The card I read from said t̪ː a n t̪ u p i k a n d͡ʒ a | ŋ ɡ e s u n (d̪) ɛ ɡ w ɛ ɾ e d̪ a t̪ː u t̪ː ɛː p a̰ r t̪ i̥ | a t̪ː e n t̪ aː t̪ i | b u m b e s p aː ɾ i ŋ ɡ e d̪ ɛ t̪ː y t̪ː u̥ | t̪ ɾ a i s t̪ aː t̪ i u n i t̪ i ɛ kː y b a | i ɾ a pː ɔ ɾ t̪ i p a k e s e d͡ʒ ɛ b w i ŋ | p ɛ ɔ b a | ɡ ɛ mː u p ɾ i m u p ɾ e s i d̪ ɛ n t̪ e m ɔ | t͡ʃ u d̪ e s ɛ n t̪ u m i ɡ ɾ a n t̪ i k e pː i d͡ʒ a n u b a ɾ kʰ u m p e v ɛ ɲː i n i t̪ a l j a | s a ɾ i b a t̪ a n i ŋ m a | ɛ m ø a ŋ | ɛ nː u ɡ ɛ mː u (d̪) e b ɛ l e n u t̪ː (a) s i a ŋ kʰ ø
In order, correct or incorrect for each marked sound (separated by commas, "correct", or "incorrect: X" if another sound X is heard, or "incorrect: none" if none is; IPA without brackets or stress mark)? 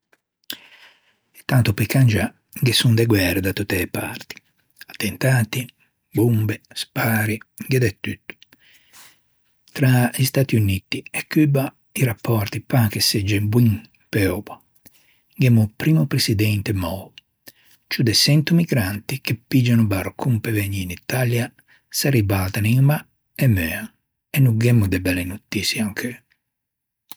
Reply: correct, correct, incorrect: i